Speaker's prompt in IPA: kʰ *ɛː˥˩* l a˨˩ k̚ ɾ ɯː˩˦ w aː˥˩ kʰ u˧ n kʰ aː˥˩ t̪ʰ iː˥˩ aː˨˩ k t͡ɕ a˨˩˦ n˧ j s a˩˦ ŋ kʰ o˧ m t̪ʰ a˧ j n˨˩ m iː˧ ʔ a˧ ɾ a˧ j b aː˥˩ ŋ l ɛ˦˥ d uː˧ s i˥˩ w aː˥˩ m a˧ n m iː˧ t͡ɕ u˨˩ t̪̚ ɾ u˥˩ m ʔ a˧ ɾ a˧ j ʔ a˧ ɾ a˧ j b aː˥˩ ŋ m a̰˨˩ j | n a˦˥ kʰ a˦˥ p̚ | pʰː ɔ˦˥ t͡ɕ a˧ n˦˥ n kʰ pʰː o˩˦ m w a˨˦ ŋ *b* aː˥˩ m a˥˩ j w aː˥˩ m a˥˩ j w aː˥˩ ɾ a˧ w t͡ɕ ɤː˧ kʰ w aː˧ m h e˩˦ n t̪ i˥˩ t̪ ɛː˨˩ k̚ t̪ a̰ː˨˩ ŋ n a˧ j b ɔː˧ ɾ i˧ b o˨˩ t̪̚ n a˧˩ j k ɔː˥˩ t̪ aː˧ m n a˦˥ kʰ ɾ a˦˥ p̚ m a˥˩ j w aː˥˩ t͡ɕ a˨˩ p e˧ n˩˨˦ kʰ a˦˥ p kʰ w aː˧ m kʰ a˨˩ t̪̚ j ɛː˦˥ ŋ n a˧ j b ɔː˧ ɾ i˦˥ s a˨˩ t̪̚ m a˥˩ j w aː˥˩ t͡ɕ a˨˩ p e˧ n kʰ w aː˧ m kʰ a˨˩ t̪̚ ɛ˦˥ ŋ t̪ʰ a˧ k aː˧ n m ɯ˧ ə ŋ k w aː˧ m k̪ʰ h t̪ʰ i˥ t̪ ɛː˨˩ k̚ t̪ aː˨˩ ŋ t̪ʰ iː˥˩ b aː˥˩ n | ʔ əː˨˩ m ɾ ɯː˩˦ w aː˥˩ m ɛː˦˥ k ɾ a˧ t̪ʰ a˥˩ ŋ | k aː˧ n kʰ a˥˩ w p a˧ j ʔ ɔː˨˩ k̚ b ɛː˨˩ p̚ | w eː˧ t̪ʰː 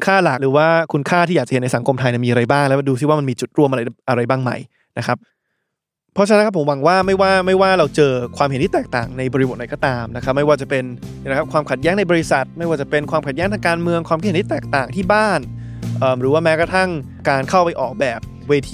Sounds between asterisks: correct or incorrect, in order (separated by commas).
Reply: incorrect, incorrect